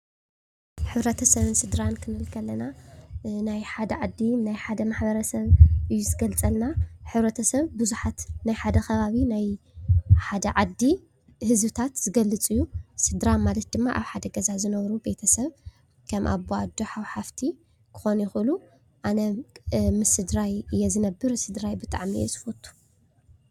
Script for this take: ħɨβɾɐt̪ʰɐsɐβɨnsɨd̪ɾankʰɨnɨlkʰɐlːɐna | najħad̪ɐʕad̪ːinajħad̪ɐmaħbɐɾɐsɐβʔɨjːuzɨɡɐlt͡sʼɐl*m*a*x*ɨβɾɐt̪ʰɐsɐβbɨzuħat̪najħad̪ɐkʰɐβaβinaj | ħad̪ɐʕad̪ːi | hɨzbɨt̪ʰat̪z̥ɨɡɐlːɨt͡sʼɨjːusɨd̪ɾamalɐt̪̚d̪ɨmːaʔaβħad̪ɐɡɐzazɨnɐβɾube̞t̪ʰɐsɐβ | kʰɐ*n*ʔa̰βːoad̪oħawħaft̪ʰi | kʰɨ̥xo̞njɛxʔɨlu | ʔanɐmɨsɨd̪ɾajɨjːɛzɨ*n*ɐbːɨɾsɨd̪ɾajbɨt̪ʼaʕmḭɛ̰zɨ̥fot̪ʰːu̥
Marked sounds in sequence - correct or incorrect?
incorrect: n, incorrect: ħ, incorrect: m, correct

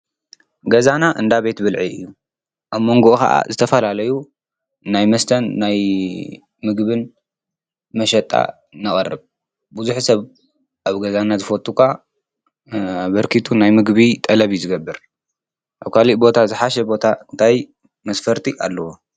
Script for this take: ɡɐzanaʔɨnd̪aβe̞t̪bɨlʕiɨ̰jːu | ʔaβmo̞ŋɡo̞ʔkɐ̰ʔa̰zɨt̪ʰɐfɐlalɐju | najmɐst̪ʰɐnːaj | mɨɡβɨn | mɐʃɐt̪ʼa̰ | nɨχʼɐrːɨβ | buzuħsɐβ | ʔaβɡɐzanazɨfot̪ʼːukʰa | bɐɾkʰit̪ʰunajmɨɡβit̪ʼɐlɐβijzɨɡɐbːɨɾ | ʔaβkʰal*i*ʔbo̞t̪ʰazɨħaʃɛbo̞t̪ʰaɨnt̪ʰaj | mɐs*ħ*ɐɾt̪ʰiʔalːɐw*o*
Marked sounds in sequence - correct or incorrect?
correct, incorrect: f, correct

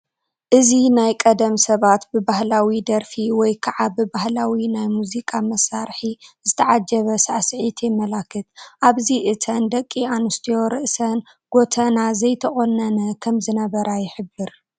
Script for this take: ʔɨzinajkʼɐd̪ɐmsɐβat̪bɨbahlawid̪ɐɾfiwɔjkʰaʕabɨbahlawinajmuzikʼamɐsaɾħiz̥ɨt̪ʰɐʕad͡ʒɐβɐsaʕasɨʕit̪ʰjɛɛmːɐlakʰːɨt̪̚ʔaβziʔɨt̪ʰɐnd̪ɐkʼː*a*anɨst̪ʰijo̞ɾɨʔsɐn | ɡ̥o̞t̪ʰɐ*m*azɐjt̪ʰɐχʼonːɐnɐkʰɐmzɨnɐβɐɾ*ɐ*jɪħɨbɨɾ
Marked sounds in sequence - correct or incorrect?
incorrect: i, incorrect: n, incorrect: a

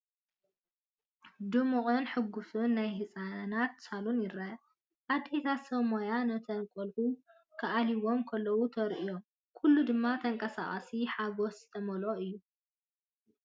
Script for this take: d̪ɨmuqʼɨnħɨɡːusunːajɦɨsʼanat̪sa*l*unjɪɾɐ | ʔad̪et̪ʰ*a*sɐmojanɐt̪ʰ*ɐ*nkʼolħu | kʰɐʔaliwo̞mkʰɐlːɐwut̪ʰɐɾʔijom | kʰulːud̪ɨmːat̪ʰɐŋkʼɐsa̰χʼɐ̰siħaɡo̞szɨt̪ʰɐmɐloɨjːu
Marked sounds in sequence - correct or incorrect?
correct, correct, correct

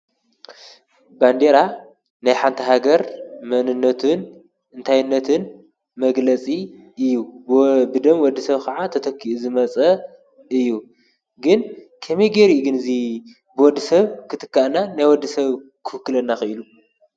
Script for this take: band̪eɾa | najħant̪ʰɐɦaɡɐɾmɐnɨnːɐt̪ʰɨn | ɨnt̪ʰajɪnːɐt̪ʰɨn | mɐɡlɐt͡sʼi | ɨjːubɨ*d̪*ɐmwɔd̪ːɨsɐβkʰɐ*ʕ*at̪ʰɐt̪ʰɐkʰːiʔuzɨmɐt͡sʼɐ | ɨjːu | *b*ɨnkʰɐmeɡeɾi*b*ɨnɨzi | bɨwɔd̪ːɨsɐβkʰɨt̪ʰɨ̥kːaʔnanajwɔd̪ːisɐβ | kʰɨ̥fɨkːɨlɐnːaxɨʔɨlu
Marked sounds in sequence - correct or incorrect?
correct, correct, incorrect: ɡ, incorrect: ɡ

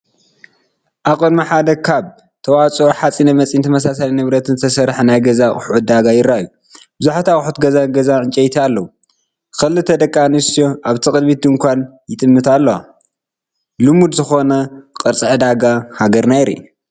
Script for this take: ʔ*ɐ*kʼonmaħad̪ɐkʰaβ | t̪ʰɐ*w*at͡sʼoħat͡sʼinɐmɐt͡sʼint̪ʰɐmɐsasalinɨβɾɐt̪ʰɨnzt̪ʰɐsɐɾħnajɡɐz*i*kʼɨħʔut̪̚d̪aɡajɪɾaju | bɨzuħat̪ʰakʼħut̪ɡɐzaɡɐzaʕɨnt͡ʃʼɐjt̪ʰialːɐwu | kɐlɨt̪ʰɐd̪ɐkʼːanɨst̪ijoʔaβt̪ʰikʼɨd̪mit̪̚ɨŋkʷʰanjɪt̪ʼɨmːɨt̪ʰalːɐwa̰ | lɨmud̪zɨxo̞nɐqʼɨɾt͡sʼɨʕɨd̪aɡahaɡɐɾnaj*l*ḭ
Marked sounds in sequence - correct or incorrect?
incorrect: a, correct, incorrect: a, incorrect: ɾ

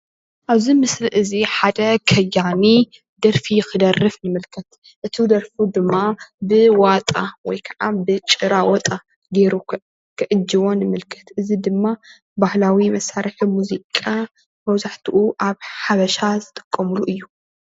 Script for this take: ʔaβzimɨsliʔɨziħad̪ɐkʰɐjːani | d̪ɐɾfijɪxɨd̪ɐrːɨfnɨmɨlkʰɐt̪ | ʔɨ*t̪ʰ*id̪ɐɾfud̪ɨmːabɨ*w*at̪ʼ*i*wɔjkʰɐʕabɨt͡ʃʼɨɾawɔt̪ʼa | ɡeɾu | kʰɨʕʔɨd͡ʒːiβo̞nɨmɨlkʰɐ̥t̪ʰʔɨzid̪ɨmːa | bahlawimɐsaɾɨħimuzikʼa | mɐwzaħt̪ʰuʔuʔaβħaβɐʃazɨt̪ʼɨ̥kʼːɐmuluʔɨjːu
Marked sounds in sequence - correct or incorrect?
correct, correct, incorrect: a

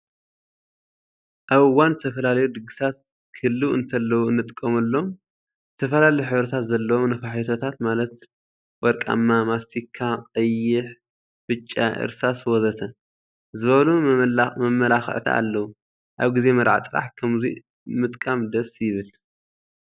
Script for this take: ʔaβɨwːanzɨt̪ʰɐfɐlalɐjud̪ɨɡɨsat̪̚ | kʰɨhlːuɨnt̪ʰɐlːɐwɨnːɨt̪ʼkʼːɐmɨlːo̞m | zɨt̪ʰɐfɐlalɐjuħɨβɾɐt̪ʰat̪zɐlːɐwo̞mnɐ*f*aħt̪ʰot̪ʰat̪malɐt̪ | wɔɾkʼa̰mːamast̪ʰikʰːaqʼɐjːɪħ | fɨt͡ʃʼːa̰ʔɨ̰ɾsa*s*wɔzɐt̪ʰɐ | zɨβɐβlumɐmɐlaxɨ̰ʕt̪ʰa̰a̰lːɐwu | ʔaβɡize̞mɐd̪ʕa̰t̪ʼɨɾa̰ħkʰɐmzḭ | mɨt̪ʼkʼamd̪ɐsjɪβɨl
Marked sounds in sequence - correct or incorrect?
correct, correct

